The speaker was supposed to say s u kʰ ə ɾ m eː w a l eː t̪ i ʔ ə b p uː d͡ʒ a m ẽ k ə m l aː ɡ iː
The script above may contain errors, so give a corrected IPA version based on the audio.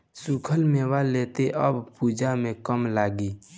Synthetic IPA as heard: s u kʰ ə l m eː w a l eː t̪ e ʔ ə b p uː d͡ʒ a m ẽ k ə m l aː ɡ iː